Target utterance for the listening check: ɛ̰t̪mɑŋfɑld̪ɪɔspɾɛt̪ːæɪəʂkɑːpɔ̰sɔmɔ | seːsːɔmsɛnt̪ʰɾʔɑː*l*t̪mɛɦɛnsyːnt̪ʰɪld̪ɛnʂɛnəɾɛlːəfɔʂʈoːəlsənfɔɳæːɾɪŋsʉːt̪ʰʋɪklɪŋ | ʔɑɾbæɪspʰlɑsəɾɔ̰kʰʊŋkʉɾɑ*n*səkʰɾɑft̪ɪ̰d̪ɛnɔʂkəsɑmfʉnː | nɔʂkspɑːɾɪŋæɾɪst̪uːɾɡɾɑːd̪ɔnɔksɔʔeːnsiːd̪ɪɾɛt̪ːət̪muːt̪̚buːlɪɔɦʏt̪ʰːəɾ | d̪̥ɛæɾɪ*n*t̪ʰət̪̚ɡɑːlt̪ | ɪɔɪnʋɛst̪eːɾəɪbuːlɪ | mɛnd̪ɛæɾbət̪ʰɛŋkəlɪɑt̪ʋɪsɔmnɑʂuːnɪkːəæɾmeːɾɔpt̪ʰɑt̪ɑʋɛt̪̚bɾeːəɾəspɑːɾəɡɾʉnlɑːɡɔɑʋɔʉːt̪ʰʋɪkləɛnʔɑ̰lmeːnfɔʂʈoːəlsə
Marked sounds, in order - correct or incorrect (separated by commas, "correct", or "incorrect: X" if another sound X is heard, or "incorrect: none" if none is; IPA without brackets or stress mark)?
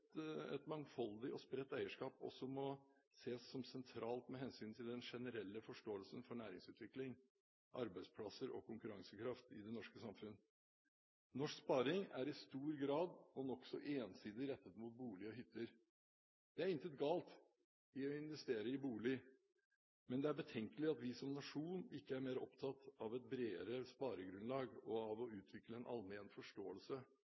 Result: correct, incorrect: ŋ, correct